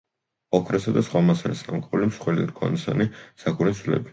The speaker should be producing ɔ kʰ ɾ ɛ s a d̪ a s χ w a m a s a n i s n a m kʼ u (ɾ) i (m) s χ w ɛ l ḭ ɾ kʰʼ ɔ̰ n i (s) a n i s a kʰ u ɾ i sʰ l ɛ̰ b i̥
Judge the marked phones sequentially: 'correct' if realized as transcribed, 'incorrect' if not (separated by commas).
incorrect, correct, correct